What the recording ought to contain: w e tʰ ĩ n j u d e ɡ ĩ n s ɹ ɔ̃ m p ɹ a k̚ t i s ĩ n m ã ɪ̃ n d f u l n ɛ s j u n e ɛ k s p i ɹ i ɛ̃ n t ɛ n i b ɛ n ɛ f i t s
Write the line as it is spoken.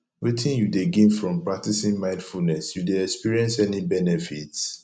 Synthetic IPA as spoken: w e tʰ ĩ n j u d e ɡ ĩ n f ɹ ɔ̃ m p ɹ a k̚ t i s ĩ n m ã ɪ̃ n d f u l n ɛ s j u d e ɛ k s p i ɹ i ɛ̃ n s ɛ n i b ɛ n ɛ f i t s